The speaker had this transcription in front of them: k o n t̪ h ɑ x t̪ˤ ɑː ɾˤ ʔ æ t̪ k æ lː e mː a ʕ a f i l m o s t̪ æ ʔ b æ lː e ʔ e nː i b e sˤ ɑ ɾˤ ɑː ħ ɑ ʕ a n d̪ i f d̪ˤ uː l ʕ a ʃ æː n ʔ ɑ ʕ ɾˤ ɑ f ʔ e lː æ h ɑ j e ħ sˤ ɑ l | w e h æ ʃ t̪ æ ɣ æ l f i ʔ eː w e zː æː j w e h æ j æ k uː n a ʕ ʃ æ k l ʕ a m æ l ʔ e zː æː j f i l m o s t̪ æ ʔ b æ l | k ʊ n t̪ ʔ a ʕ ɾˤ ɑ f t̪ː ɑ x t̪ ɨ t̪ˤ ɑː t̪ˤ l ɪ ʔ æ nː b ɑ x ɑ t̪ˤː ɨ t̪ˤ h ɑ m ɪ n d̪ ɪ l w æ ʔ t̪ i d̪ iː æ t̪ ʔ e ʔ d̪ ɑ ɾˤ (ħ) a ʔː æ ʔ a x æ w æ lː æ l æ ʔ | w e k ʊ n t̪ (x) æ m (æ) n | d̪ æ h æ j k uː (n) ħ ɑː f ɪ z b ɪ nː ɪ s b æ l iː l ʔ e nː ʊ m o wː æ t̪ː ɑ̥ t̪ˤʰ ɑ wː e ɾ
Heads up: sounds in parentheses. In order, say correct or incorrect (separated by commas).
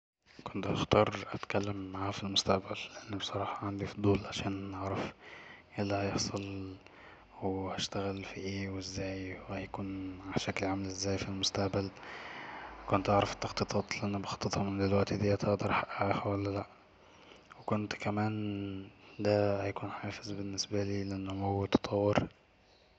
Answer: correct, incorrect, incorrect, correct